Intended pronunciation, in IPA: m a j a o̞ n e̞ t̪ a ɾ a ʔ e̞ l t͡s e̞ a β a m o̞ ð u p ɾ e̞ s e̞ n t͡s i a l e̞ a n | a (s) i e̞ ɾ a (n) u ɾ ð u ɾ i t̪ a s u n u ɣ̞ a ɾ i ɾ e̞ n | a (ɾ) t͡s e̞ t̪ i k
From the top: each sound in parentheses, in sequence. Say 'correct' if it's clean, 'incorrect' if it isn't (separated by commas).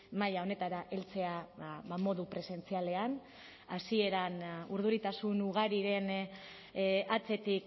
correct, correct, incorrect